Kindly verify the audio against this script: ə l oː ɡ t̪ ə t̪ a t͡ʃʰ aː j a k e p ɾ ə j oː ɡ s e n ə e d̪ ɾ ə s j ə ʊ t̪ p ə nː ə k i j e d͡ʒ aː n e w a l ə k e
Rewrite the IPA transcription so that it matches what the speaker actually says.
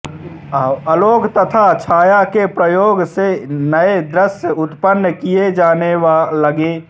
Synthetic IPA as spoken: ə l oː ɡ t̪ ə t̪ʰ a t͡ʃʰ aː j a k e p ɾ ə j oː ɡ s e n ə e d̪ ɾ ə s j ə ʊ t̪ p ə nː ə k i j e d͡ʒ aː n e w a l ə ɡ e